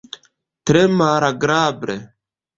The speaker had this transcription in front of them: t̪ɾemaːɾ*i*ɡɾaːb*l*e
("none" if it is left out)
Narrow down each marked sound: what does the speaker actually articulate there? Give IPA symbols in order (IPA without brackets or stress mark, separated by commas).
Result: a, ɾ